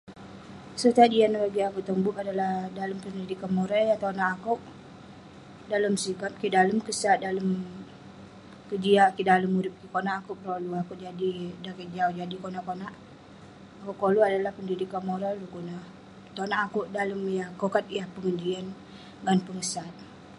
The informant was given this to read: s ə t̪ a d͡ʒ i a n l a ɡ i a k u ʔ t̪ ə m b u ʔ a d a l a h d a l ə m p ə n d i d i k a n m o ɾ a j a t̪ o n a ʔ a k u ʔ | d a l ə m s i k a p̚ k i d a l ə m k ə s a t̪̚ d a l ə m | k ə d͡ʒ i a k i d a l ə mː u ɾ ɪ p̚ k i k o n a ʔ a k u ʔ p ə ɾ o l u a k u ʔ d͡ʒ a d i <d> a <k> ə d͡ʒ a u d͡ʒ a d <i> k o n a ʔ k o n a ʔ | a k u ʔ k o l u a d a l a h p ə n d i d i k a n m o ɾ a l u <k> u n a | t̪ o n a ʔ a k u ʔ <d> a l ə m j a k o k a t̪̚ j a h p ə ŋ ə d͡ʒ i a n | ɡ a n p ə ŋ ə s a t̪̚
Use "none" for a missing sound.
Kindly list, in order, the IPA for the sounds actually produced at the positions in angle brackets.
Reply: d, k, i, k, d

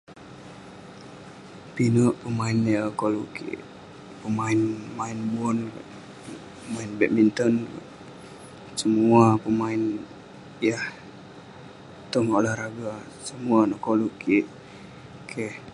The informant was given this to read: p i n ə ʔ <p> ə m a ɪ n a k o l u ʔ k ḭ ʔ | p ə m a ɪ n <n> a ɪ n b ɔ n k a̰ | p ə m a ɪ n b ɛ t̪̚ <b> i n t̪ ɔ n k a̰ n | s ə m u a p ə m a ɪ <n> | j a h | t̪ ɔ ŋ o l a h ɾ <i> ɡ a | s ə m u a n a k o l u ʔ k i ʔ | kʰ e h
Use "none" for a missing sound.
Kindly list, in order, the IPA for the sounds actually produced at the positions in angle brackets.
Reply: p, m, m, n, a

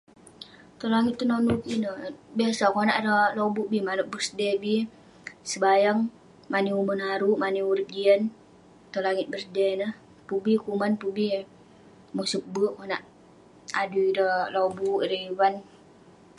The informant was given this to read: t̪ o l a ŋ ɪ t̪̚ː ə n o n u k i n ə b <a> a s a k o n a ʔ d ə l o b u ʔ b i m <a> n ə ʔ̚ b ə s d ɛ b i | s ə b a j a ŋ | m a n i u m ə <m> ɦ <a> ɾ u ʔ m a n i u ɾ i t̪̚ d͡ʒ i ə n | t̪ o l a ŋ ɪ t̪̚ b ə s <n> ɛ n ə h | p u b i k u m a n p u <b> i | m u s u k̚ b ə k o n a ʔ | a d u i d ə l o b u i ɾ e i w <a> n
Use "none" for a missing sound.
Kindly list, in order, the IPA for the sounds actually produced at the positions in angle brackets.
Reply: i, a, n, a, d, b, a

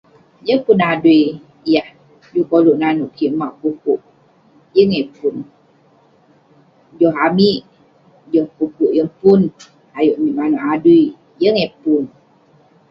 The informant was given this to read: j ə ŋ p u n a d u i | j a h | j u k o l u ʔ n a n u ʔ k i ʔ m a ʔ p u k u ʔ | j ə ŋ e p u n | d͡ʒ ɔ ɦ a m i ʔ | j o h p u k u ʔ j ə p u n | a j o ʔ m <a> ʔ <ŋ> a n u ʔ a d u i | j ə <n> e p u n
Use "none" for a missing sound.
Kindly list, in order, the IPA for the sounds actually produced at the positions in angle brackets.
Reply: i, m, ŋ

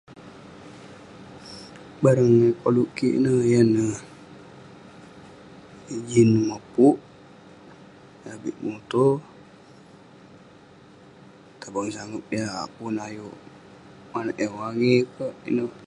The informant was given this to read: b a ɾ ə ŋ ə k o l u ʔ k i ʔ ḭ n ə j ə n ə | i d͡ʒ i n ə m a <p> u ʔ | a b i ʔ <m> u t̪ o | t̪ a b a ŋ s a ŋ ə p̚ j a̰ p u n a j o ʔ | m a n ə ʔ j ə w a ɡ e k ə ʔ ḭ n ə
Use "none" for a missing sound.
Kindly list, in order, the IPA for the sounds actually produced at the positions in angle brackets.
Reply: p, m

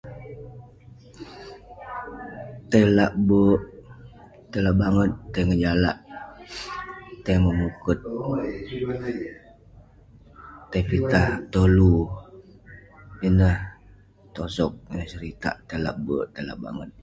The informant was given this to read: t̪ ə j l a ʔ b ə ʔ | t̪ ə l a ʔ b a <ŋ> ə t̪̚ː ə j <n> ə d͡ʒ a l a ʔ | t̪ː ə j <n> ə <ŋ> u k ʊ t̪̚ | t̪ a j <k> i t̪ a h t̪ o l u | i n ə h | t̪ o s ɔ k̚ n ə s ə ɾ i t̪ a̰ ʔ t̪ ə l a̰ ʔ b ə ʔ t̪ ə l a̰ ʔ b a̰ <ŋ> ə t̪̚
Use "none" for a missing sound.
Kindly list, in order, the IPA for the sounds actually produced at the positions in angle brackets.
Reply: ŋ, ŋ, m, m, p, ŋ

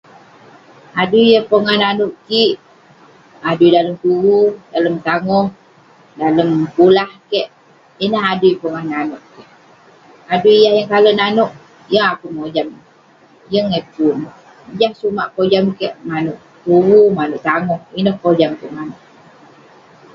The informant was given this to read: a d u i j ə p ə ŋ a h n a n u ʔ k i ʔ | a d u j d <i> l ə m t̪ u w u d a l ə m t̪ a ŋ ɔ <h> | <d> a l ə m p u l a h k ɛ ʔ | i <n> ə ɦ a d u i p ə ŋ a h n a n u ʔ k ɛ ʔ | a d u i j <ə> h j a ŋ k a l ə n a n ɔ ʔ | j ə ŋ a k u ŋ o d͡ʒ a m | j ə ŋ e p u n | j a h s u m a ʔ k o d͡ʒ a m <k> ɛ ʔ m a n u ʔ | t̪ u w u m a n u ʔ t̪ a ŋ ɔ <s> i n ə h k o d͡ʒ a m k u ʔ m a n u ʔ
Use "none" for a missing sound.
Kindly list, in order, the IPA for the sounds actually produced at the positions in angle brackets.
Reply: a, h, d, n, a, k, h

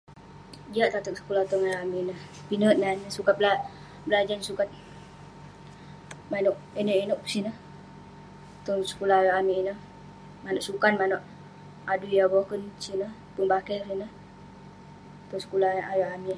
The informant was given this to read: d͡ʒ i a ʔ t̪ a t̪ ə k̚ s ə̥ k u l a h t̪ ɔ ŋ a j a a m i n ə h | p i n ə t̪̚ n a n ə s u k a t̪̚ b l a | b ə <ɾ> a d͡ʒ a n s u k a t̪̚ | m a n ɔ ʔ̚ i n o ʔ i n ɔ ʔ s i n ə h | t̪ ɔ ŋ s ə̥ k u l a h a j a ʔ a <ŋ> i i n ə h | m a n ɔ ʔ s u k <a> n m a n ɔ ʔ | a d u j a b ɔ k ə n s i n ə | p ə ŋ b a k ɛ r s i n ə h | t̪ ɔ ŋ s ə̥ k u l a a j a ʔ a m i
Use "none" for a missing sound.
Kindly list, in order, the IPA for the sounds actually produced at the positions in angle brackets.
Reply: l, m, a

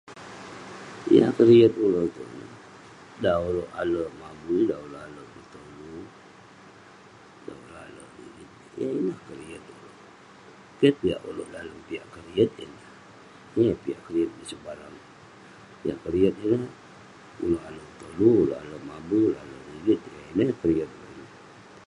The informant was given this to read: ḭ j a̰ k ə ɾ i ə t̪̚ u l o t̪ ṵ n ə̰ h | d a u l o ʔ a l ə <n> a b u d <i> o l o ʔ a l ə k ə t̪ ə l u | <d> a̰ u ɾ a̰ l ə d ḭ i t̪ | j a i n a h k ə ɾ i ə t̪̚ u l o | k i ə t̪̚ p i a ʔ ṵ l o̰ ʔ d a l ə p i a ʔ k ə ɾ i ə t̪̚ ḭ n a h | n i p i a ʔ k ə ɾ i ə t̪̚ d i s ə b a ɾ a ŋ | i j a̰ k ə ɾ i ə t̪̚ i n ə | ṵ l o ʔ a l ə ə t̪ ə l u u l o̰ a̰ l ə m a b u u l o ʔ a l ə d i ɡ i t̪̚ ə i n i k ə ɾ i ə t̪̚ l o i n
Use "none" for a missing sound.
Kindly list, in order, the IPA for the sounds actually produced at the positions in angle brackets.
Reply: m, a, d

